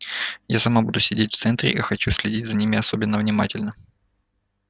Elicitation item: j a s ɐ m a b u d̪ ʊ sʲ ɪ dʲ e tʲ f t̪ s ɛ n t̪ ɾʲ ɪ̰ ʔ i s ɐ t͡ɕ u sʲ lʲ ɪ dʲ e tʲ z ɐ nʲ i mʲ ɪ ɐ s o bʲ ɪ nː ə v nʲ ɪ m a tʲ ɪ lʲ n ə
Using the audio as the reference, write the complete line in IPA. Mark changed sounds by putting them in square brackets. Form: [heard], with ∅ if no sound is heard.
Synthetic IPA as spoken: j a s ɐ m a b u d̪ ʊ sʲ ɪ dʲ e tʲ f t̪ s ɛ n t̪ ɾʲ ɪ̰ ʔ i [x] ɐ t͡ɕ u sʲ lʲ ɪ dʲ [i] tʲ z ɐ nʲ i mʲ ɪ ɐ s o bʲ ɪ nː ə v nʲ ɪ m a tʲ ɪ lʲ n ə